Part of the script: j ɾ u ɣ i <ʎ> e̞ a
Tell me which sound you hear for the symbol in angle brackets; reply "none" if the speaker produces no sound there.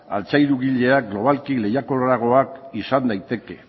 ʎ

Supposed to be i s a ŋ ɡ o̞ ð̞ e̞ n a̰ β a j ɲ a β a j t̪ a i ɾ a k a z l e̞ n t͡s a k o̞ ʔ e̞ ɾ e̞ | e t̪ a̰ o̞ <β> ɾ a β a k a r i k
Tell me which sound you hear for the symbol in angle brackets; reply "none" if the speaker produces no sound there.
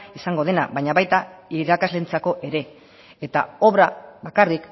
β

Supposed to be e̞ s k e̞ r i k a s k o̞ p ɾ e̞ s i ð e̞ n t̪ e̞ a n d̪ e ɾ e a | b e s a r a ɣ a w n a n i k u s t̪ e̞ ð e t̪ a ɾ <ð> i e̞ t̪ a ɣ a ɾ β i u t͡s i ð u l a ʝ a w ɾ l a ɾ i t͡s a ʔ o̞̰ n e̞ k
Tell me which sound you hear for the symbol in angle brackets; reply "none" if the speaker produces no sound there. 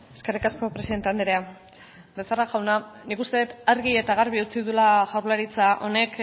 ɣ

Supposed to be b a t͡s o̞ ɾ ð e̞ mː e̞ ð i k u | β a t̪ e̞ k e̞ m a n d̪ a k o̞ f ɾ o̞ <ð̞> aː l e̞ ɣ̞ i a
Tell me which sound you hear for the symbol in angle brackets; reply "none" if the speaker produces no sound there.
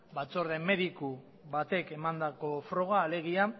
ɣ̞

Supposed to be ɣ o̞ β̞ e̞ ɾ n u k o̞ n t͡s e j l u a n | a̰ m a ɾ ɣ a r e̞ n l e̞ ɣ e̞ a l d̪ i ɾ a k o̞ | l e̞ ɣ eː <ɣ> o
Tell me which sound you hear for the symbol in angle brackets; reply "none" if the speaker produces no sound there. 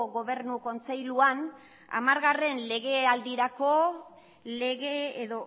ð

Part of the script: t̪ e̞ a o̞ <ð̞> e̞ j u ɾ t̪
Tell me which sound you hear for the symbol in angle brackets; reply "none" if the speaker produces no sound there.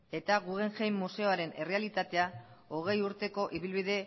ɣ̞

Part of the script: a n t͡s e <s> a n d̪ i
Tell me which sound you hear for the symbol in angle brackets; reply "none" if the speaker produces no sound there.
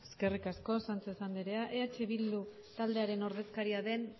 s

